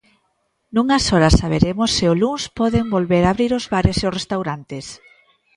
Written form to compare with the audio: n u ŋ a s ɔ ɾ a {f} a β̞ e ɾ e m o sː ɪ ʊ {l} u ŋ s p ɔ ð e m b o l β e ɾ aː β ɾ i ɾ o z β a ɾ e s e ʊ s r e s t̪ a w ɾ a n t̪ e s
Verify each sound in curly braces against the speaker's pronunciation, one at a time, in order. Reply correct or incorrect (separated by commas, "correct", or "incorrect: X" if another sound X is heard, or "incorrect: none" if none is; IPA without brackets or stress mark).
incorrect: s, correct